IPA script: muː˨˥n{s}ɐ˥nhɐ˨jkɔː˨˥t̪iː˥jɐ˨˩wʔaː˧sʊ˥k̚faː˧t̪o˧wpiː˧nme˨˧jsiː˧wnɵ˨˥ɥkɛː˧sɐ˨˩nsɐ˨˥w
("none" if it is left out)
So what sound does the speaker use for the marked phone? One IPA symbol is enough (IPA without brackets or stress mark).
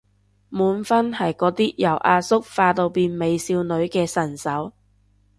f